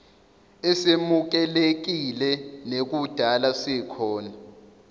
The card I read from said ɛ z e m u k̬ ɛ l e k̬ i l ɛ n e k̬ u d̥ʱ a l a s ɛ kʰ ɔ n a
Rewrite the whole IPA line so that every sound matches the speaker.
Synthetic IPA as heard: ɛ s e m u k̬ ɛ l e k̬ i l ɛ n e k̬ u d̥ʱ a l a s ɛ kʰ ɔː n a